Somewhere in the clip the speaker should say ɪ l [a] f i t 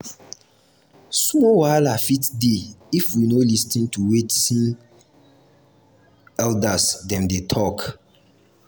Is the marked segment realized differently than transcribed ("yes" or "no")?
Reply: no